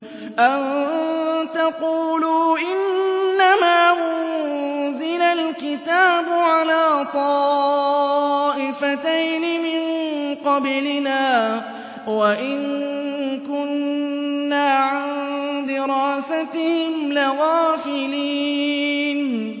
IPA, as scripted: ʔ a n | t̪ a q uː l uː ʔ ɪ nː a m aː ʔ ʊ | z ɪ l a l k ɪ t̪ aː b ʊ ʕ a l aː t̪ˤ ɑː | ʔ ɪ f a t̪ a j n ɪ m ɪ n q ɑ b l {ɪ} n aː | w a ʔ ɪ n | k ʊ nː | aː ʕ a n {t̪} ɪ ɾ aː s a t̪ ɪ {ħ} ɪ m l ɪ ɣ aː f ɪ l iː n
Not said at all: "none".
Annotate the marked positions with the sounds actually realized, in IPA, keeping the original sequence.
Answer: ɪ, d̪, h

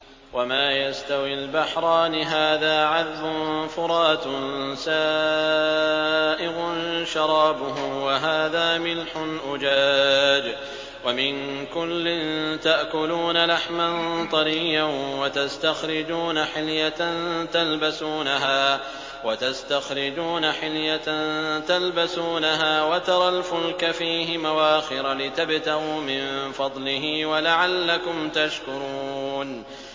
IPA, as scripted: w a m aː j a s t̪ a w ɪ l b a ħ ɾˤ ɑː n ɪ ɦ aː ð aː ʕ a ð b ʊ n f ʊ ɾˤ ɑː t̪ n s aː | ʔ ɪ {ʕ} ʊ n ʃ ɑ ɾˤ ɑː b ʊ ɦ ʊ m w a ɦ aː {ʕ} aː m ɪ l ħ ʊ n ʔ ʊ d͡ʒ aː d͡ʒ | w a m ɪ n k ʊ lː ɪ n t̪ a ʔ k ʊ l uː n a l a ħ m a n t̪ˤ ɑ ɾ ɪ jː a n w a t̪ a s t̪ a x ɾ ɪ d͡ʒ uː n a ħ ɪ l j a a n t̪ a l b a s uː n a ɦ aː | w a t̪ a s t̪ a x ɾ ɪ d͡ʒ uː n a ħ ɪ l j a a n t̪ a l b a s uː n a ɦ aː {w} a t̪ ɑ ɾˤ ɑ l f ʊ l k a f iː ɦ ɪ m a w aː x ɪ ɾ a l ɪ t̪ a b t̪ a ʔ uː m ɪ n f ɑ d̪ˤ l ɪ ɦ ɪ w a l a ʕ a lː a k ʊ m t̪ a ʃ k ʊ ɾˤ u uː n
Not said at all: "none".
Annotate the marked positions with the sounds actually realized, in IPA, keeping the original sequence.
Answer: ɣ, ð, w

